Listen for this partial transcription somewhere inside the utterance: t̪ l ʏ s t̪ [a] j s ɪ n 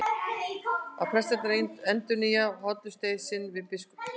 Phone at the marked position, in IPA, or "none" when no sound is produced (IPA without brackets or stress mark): e